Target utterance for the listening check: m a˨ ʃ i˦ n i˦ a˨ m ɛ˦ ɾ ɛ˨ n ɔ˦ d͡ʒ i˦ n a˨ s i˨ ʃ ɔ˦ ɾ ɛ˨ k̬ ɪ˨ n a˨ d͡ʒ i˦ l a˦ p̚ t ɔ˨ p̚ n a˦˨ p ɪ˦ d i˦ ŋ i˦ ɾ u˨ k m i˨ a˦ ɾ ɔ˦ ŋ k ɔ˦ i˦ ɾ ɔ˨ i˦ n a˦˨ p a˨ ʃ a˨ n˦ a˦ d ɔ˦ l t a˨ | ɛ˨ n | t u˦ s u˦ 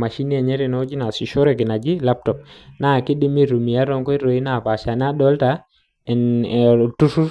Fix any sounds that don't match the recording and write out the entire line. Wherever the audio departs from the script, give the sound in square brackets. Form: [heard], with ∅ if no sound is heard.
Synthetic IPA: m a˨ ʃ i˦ n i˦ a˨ [ɲ] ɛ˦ ɾ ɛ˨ n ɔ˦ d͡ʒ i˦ n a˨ s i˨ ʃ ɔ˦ ɾ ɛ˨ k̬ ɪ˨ n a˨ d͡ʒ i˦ l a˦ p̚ t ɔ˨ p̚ n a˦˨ [k] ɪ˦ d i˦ [m] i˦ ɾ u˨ [∅] m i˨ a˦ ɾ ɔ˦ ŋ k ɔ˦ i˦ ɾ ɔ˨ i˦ n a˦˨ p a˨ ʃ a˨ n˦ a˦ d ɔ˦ l t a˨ | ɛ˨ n | t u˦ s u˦

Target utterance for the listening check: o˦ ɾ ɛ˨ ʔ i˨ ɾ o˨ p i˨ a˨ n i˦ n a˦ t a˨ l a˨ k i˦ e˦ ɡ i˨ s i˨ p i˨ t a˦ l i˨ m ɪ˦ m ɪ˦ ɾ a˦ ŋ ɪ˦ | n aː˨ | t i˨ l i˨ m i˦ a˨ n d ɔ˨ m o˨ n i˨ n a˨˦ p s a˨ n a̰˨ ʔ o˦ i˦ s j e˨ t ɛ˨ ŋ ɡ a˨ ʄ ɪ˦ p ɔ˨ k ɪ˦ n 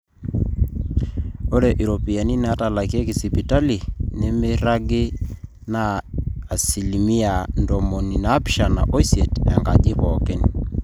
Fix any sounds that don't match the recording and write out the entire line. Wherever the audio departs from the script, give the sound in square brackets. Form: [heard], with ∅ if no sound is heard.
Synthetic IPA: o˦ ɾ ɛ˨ ʔ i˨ ɾ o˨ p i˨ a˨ n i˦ n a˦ t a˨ l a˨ k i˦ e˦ [k] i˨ s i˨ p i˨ t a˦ l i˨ [n] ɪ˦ m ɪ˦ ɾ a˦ [ɡ] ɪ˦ | n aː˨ | [s] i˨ l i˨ m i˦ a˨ n d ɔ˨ m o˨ n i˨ n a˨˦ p [ʃ] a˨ n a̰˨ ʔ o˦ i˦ s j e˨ t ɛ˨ ŋ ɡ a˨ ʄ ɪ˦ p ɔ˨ k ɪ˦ n

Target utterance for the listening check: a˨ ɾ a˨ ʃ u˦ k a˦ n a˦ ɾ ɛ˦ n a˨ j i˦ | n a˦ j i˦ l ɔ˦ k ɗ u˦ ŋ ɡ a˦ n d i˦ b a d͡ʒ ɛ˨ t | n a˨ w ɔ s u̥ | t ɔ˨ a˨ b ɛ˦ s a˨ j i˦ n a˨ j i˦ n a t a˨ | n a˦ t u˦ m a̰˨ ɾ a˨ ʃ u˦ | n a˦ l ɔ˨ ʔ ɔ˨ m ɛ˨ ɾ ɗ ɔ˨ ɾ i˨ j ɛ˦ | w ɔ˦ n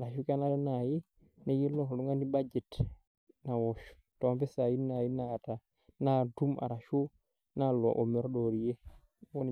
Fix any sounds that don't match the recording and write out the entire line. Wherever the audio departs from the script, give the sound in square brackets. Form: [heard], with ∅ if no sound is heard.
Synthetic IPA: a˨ ɾ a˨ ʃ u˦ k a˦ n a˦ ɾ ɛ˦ n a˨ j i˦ | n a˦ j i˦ l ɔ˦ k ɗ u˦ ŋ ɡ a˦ n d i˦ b a d͡ʒ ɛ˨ t | n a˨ w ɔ [ʃ] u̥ | t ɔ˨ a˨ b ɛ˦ s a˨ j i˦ n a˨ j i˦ n a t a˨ | n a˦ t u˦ m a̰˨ ɾ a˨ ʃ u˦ | n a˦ l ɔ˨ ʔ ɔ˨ m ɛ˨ ɾ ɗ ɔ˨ ɾ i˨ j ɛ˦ | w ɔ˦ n

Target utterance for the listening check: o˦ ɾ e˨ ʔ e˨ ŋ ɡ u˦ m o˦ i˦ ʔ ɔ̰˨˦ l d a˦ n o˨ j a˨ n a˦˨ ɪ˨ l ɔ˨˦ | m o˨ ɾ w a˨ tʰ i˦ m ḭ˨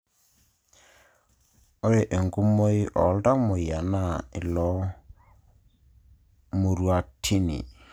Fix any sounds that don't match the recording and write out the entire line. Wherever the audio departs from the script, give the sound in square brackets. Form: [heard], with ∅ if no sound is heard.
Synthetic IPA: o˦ ɾ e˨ ʔ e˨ ŋ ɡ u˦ m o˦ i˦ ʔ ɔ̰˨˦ l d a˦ [m] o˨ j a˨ n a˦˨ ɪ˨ l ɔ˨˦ | m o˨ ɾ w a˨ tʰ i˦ [n] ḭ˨

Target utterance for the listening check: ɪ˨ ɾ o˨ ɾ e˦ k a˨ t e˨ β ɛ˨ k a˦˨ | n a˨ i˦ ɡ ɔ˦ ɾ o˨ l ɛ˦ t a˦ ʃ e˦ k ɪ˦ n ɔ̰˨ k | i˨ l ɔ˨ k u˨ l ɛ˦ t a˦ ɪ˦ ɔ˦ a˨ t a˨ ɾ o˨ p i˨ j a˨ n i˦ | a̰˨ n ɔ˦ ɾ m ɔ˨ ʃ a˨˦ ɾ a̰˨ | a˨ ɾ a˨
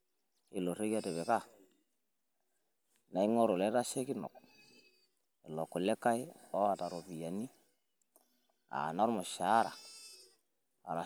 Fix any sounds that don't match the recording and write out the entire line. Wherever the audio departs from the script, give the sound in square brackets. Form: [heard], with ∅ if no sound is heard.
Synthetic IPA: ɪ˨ [l] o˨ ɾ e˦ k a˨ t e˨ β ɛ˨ k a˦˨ | n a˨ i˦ [ŋ] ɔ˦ ɾ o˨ l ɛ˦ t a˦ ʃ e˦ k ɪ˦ n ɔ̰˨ k | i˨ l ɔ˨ k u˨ l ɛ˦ [k] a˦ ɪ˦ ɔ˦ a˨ t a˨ ɾ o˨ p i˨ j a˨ n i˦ | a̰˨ n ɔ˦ ɾ m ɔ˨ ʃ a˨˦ ɾ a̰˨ | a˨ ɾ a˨

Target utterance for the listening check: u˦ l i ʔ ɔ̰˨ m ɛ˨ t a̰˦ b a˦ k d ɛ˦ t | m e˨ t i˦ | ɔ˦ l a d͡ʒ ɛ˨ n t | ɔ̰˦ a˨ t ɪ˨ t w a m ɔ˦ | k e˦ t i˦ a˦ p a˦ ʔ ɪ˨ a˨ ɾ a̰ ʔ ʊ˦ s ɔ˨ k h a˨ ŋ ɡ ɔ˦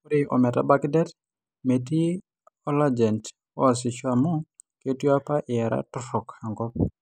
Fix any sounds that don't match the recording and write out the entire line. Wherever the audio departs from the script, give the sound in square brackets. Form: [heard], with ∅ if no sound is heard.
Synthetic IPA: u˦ [ɾ] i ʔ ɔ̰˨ m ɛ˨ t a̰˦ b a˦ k d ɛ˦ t | m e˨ t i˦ | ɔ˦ l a d͡ʒ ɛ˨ n t | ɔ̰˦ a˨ [s] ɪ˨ [t͡ʃ] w a m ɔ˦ | k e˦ t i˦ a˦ p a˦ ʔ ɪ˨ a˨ ɾ a̰ [t] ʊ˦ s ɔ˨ k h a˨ ŋ ɡ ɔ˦

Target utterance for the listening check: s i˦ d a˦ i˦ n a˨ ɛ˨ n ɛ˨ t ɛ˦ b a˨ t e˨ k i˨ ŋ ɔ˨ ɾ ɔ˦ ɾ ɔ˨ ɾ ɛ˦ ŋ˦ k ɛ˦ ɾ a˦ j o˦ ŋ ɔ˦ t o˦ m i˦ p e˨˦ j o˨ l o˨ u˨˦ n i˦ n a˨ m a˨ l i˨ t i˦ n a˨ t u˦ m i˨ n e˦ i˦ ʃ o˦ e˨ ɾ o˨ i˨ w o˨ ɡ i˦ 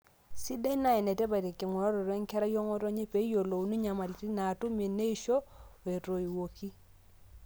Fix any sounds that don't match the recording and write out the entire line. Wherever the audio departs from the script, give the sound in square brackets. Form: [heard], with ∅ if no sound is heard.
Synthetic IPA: s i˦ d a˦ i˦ n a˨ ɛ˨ n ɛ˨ t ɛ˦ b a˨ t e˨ k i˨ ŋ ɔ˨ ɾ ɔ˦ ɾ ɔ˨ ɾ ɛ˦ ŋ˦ k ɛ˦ ɾ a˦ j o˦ ŋ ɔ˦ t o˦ [ɲ] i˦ p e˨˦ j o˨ l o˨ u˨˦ n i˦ [ɲ] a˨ m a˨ l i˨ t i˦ n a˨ t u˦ m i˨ n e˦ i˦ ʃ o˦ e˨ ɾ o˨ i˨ w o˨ [k] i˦

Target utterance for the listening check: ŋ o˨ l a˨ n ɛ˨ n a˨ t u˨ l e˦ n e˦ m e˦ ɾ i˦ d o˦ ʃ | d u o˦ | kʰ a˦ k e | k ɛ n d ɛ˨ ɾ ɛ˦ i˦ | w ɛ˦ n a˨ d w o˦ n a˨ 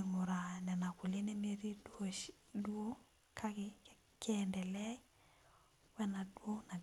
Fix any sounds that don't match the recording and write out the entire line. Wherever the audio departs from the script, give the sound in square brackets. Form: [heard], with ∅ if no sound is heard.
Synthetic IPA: ŋ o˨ [ɾ] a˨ n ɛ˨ n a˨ [k] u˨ l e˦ n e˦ m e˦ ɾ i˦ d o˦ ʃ | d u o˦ | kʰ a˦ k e | k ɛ n d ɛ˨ [l] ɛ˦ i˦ | w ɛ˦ n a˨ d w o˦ n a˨

